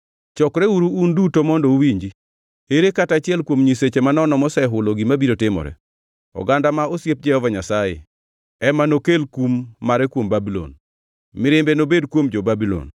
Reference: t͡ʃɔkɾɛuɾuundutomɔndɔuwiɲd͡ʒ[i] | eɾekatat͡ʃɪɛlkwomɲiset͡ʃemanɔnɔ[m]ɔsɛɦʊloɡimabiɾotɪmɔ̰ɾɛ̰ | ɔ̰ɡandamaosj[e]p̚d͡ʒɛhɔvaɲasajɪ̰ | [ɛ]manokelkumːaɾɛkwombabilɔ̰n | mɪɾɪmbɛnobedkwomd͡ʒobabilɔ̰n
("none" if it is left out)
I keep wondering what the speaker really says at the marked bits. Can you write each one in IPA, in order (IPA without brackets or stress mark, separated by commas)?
i, m, e, ɛ